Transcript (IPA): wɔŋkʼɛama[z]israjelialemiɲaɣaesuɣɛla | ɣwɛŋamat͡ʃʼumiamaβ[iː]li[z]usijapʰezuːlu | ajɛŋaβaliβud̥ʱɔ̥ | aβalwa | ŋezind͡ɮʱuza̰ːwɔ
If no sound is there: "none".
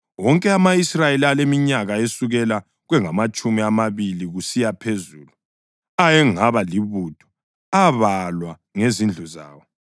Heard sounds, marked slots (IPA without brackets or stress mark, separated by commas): none, i, ɣ